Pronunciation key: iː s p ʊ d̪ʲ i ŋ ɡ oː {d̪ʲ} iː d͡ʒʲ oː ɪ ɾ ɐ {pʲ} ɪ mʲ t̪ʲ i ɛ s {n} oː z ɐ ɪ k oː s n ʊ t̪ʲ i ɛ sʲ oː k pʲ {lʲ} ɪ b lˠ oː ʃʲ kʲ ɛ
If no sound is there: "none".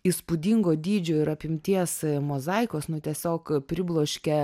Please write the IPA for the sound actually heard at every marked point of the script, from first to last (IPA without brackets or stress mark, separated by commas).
d̪ʲ, pʲ, m, ɾʲ